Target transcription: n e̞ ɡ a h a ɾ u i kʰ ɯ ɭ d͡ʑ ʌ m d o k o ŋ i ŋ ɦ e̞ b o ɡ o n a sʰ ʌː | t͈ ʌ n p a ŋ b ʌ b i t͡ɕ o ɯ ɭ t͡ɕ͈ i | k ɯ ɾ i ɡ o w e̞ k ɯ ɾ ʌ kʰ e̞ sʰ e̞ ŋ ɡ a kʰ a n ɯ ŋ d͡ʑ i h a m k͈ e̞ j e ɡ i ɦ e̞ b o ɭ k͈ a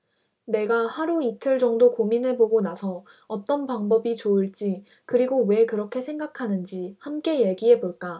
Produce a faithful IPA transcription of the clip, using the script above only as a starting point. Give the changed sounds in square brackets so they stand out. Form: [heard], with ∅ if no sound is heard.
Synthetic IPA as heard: n e̞ ɡ a h a ɾ u i [tʰ] ɯ ɭ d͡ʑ ʌ [ŋ] d o k o [m] i [n] ɦ e̞ b o ɡ o n a sʰ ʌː | t͈ ʌ n p a ŋ b ʌ b i t͡ɕ o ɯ ɭ t͡ɕ͈ i | k ɯ ɾ i ɡ o w e̞ k ɯ ɾ ʌ kʰ e̞ sʰ e̞ ŋ ɡ a kʰ a n ɯ [n] d͡ʑ i h a m k͈ e̞ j e ɡ i ɦ e̞ b o ɭ k͈ a